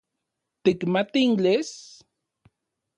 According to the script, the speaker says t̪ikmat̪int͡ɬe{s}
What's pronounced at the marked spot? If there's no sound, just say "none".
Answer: s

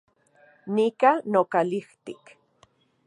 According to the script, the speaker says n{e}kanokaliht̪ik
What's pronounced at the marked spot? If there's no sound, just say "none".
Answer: i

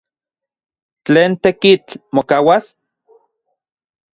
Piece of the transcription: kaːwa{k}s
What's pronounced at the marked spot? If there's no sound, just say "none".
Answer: none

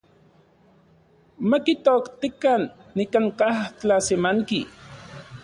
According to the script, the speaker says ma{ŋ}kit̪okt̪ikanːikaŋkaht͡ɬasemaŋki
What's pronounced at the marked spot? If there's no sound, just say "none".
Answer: none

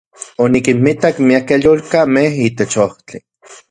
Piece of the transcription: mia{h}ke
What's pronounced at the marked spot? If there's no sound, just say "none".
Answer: none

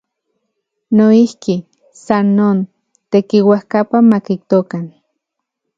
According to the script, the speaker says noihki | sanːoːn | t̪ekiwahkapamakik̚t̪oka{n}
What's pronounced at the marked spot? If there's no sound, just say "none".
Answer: n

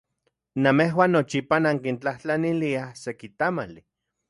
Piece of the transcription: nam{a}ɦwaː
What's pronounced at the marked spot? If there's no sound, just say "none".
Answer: e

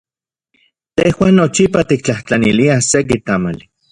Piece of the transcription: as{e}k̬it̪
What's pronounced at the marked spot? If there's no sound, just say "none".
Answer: e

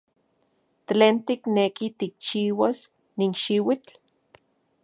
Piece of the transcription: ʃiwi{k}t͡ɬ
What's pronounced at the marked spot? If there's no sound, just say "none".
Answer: none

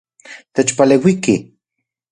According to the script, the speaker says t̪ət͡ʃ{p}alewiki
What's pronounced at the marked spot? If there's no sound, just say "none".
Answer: p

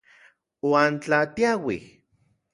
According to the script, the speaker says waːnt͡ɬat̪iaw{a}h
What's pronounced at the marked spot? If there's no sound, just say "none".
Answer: i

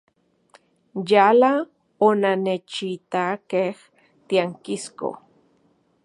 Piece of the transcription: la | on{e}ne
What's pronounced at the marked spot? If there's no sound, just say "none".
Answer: a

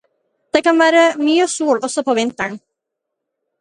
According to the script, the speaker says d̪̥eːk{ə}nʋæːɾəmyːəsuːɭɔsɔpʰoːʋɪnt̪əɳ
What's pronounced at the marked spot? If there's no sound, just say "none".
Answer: ɑ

